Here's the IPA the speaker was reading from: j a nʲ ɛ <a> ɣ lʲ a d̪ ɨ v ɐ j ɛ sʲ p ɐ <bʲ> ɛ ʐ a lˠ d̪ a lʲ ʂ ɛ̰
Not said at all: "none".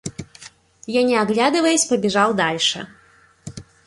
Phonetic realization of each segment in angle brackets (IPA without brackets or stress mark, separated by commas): a, bʲ